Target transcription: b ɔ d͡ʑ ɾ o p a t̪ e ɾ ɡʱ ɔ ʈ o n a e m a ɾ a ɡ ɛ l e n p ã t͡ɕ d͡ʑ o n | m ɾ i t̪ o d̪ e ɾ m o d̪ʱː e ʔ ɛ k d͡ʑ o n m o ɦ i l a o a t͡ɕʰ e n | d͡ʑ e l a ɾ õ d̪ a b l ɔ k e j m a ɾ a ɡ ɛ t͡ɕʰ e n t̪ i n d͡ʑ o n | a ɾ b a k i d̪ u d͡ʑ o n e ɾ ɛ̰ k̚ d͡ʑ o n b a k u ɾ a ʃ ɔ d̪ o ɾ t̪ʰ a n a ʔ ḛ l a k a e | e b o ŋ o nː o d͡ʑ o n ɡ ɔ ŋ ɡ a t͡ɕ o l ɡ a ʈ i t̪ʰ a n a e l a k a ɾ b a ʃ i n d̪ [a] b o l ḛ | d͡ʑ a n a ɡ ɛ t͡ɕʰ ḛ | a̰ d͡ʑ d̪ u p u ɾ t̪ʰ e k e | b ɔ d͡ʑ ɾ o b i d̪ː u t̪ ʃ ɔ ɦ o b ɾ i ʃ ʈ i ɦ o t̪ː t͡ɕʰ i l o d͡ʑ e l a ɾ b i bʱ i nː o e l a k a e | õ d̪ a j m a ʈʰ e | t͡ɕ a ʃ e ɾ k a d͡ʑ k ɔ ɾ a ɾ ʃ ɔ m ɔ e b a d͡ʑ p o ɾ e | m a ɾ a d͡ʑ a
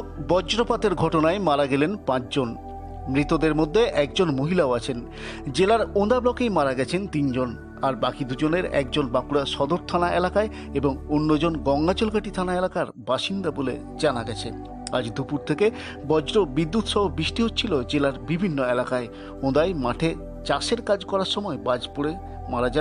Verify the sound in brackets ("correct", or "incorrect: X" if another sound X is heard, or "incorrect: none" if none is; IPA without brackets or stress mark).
correct